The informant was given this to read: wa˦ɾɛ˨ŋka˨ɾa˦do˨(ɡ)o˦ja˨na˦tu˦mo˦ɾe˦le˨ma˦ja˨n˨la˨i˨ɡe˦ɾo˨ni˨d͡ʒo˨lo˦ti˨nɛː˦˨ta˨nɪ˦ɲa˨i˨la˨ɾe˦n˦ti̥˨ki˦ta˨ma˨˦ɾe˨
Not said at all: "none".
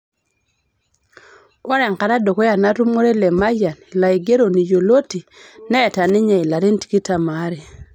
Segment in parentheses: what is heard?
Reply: k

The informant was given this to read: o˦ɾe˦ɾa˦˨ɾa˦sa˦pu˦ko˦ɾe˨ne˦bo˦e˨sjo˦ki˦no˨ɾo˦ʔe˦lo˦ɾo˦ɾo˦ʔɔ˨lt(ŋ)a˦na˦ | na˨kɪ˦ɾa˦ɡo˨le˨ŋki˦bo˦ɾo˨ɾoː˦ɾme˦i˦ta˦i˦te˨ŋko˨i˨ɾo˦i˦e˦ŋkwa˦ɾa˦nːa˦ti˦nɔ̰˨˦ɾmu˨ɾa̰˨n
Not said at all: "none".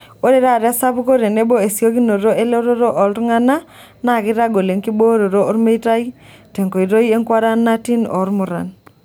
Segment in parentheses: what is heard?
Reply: ŋ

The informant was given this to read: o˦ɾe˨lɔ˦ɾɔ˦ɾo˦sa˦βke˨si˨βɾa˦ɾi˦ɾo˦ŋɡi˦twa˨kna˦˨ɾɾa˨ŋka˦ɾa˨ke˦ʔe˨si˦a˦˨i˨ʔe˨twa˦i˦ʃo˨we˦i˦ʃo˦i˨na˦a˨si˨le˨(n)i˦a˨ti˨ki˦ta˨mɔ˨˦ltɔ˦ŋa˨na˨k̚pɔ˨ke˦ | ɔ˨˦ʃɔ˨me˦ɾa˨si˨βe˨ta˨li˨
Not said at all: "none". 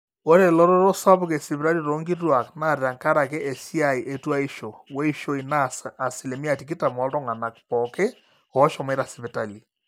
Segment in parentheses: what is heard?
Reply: m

